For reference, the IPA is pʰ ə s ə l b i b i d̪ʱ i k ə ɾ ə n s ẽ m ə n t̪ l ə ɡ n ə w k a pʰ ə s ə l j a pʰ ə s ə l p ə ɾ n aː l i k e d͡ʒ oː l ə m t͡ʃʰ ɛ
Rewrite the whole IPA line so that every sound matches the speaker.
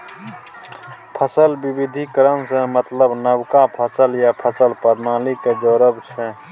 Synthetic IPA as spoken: pʰ ə s ə l b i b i d̪ʱ i k ə ɾ ə n s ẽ m ə t̪ l ə b n ə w k a pʰ ə s ə l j a pʰ ə s ə l p ə ɾ n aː l i k e d͡ʒ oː ɾ ə b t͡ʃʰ ɛ